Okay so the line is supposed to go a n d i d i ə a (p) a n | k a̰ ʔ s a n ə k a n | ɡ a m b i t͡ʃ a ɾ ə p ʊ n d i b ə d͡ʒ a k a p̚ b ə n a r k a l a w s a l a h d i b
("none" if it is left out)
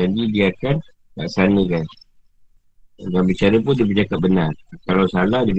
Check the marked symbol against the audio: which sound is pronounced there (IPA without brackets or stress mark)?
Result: k